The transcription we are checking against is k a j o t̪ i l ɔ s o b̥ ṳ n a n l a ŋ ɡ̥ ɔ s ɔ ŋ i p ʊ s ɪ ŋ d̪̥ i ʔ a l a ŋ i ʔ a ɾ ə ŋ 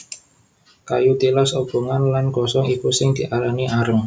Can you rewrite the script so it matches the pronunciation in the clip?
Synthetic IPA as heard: k a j u t̪ i l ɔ s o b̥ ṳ ŋ a n l a n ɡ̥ ɔ s ɔ ŋ i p u s ɪ ŋ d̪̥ i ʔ a l a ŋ i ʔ a ɾ ə ŋ